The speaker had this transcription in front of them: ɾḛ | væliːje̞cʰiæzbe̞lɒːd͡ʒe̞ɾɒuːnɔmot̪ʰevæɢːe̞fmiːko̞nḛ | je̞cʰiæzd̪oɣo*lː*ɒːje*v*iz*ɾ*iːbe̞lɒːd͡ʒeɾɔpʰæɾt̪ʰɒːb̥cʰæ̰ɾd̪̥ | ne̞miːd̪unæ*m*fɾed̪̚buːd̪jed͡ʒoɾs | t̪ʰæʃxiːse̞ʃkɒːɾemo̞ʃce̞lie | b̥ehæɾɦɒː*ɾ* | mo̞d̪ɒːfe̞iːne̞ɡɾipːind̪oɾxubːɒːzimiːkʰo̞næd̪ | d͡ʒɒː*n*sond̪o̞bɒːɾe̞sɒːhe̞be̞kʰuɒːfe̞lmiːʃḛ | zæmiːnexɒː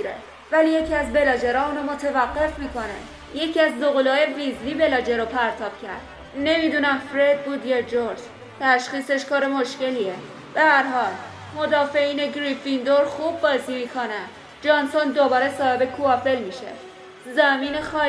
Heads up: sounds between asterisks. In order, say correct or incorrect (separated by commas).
incorrect, correct, incorrect, correct, incorrect, correct